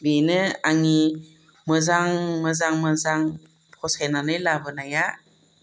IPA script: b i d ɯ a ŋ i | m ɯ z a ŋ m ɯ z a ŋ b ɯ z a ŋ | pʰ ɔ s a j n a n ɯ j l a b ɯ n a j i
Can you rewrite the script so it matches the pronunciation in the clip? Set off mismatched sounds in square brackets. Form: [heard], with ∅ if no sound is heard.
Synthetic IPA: b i [n] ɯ a ŋ i | m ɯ z a ŋ m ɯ z a ŋ [m] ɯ z a ŋ | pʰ ɔ s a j n a n ɯ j l a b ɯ n a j [a]